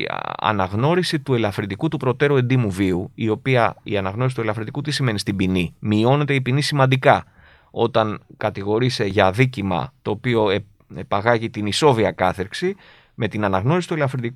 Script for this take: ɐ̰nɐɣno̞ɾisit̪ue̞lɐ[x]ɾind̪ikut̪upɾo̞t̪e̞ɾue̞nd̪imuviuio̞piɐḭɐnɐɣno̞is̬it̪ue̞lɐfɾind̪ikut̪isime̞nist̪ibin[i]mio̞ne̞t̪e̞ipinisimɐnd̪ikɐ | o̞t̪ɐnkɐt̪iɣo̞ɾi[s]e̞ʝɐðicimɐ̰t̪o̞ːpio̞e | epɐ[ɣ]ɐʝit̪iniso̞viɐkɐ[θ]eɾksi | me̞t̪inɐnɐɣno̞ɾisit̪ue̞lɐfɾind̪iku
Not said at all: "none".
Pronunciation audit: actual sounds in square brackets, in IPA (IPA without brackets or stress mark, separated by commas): f, i, s, ɣ, θ